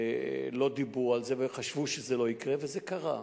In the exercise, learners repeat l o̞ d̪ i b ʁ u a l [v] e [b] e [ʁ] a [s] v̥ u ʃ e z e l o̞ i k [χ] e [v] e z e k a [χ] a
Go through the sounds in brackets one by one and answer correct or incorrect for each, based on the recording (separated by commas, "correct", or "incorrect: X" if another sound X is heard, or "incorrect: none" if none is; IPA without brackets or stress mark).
incorrect: z, incorrect: v, incorrect: χ, incorrect: ʃ, incorrect: ʁ, correct, incorrect: ʁ